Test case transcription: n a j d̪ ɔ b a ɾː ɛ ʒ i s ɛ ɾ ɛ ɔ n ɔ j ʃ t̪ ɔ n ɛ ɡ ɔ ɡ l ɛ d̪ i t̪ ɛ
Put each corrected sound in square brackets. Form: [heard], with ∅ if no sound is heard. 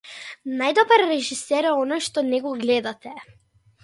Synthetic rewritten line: n a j d̪ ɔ b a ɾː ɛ ʒ i s ɛ ɾ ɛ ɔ n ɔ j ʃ t̪ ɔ n ɛ ɡ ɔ ɡ l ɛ d̪ [a] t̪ ɛ